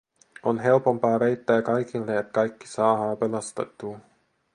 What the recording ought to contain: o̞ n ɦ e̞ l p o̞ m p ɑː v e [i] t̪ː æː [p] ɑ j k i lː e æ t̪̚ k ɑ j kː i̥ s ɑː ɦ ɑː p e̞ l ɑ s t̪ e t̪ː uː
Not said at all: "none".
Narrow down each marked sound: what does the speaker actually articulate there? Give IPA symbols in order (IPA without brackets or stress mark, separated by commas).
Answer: j, k